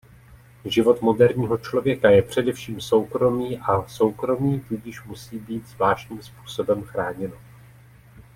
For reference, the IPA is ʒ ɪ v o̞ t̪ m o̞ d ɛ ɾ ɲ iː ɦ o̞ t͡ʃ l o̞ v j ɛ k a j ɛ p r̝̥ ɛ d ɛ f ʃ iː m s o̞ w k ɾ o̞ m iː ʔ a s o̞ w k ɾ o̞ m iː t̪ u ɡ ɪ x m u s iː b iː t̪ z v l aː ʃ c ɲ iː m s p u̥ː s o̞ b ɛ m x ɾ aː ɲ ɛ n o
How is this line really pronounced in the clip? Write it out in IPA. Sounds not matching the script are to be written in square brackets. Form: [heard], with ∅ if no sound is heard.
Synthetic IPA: ʒ ɪ v o̞ t̪ m o̞ d ɛ ɾ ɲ iː ɦ o̞ t͡ʃ l o̞ v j ɛ k a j ɛ p r̝̥ ɛ d ɛ f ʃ iː m s o̞ w k ɾ o̞ m iː ʔ a s o̞ w k ɾ o̞ m iː t̪ u [ɟ] ɪ [ʃ] m u s iː b iː t̪ z v l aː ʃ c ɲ iː m s p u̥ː s o̞ b ɛ m x ɾ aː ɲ ɛ n o